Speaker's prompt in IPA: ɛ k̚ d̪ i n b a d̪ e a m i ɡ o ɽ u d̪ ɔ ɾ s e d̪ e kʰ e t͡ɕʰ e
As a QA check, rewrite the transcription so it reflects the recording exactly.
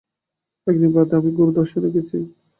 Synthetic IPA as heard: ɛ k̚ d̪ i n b a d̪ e a m i ɡ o ɾ u d̪ ɔ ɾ ʃ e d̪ e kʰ e t͡ɕʰ i